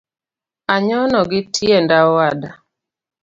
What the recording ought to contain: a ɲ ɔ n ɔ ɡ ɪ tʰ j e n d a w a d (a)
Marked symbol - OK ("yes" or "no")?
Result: yes